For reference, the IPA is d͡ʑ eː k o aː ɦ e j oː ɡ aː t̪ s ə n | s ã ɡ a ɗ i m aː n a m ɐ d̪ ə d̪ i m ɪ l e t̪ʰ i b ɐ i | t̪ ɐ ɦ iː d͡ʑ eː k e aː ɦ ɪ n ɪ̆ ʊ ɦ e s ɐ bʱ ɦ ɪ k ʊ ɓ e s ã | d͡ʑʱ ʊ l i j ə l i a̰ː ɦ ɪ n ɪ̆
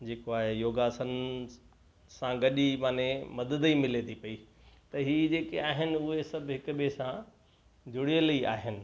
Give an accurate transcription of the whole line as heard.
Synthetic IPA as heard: d͡ʑ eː k o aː ɦ e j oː ɡ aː s ə n | s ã ɡ ɐ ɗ i m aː n e m ɐ d̪ ə d̪ i m ɪ l e t̪ʰ i p ɐ i | t̪ ɐ ɦ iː d͡ʑ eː k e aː ɦ ɪ n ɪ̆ ʊ ɦ e s ɐ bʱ ɦ ɪ k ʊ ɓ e s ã | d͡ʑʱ ʊ ɽ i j ə l i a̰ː ɦ ɪ n ɪ̆